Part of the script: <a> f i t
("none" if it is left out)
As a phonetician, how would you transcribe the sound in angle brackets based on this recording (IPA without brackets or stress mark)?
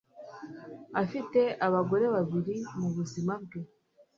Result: a